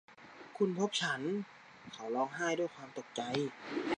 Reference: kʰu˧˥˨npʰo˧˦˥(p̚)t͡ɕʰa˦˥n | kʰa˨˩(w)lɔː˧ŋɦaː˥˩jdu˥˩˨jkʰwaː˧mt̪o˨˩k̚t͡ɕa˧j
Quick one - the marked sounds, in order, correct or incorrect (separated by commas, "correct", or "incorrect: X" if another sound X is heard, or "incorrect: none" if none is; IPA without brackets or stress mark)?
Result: correct, correct